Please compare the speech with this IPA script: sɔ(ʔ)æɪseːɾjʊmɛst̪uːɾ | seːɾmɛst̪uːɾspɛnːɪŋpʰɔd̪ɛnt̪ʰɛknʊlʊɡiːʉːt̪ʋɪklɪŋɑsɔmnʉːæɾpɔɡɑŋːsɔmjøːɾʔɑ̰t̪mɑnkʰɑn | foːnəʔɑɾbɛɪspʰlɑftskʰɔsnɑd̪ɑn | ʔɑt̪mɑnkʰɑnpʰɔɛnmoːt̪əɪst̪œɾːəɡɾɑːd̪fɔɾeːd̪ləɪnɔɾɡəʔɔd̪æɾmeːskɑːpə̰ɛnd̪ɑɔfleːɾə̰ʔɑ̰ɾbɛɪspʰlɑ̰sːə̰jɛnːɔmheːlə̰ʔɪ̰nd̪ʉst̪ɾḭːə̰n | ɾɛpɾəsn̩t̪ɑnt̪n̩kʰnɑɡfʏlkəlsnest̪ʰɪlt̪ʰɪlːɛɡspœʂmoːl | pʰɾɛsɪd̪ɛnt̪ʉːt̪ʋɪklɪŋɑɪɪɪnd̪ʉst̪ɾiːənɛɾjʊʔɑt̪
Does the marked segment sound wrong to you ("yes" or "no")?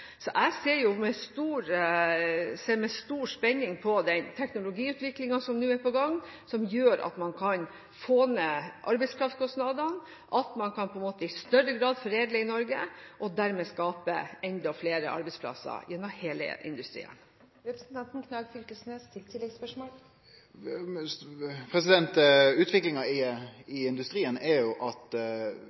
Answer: no